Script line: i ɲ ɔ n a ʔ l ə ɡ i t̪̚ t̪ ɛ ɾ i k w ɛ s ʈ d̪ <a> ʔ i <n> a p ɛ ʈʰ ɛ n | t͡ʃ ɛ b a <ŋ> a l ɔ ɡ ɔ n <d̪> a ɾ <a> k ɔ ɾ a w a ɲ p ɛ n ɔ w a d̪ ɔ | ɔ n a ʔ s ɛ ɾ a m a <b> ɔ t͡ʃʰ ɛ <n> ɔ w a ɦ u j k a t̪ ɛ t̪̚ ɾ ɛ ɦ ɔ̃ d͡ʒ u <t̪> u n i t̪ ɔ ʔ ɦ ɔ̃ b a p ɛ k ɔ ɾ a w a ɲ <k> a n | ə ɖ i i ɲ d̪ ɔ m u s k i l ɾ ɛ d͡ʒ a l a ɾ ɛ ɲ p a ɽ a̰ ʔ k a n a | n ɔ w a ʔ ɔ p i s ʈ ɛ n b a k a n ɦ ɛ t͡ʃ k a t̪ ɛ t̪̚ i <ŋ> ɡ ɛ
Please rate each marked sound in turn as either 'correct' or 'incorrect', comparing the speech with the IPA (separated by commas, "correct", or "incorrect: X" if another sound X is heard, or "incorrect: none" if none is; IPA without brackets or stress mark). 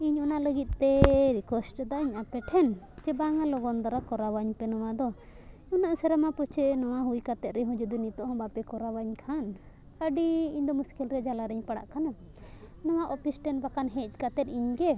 correct, incorrect: ɲ, correct, correct, correct, incorrect: p, correct, incorrect: d̪, incorrect: kʰ, incorrect: ɲ